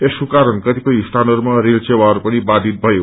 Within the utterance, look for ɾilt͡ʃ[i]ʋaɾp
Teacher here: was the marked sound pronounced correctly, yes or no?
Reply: no